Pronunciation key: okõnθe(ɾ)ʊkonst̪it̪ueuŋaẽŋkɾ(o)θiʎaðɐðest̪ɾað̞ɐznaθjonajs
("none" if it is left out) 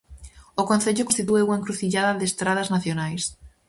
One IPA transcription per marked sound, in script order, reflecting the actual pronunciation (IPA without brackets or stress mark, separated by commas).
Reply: ʎ, u